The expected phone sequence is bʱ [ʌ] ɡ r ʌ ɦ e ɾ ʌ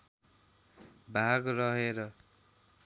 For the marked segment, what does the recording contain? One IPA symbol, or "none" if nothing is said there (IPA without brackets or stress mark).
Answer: a